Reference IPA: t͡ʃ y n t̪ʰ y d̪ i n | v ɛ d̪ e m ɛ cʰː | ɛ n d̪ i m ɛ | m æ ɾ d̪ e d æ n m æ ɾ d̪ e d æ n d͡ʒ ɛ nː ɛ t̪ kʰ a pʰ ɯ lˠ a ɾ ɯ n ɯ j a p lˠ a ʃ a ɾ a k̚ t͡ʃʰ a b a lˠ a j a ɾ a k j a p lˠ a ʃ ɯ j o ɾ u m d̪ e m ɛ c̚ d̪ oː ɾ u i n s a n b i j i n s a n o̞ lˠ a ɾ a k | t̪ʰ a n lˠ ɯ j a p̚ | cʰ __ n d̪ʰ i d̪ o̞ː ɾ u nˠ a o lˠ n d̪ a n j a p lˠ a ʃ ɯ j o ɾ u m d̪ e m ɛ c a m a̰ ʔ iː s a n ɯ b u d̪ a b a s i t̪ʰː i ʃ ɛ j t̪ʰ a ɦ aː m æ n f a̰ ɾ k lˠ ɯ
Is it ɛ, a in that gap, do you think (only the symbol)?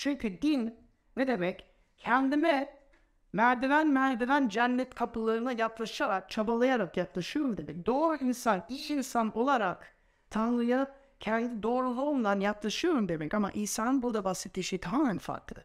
ɛ